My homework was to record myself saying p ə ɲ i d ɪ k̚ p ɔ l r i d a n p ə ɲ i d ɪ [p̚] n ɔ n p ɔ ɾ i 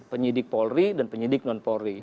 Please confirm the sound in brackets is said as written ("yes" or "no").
no